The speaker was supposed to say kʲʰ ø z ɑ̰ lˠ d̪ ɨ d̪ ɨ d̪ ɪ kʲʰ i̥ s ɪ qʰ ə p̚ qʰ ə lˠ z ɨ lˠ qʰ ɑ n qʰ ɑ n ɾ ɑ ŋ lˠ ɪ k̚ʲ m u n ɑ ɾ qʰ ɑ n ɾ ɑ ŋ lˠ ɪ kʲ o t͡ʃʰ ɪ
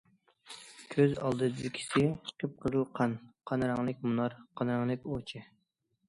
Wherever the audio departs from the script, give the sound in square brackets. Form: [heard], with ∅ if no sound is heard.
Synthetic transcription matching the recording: kʲʰ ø z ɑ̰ lˠ d̪ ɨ d̪ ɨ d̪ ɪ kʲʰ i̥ s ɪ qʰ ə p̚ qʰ ə [∅] z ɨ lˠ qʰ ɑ n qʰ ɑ n ɾ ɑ ŋ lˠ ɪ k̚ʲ m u n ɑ ɾ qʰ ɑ n ɾ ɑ ŋ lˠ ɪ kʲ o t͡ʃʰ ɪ